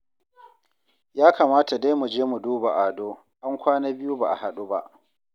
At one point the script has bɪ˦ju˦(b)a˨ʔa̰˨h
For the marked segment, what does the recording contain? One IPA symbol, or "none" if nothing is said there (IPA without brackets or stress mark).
b